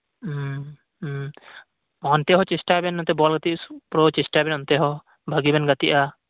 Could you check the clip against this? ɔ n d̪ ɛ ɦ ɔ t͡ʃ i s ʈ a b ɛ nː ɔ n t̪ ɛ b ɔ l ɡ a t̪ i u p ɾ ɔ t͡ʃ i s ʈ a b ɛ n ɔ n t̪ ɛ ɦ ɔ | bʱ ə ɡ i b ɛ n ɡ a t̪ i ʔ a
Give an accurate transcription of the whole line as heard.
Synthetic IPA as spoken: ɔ n t̪ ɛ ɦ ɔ t͡ʃ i s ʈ a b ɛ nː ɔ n t̪ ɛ b ɔ l ɡ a t̪ i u p ɾ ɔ t͡ʃ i s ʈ a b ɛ n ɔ n t̪ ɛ ɦ ɔ | bʱ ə ɡ i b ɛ n ɡ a t̪ i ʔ a